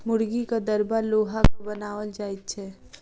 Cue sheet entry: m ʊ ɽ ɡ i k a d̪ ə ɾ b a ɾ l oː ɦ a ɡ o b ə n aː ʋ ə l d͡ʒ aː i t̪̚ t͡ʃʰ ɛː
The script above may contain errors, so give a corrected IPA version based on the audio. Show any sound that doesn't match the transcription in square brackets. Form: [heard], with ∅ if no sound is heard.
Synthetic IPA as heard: m ʊ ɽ ɡ i k a d̪ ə ɾ b a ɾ l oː ɦ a [k] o b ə n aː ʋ ə l d͡ʒ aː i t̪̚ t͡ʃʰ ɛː